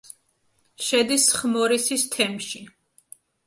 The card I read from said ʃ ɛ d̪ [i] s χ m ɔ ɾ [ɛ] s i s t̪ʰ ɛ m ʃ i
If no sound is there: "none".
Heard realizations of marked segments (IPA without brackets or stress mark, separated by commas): i, i